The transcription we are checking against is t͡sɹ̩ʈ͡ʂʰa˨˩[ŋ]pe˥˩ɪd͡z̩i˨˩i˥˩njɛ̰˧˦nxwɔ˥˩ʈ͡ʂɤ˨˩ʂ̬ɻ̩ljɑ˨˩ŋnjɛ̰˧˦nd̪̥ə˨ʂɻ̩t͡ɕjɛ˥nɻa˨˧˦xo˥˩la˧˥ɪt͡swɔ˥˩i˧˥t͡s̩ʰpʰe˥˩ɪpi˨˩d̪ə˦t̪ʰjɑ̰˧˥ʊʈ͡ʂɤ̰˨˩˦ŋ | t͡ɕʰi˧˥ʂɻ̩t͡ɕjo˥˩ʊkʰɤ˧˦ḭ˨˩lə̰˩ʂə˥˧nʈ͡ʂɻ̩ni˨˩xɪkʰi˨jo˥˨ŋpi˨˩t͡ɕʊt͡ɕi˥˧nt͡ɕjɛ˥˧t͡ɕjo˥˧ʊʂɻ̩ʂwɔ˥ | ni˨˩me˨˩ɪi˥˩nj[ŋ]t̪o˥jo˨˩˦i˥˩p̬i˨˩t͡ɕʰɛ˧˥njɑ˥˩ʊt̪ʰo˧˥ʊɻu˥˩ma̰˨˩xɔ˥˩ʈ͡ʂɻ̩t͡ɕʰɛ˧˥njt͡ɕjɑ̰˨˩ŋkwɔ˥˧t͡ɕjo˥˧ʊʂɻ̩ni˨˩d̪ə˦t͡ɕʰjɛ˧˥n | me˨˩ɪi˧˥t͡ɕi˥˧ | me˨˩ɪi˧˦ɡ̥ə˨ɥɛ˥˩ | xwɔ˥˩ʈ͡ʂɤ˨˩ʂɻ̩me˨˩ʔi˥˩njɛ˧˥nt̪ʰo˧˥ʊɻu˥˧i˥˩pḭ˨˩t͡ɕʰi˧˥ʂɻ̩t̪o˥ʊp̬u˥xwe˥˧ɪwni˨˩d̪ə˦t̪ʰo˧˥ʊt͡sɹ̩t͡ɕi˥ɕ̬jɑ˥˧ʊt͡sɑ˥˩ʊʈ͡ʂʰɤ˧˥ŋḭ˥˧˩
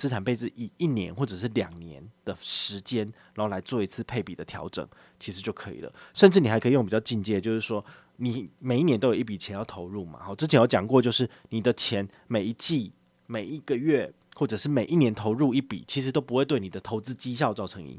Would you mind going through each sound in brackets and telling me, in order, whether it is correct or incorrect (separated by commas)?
incorrect, incorrect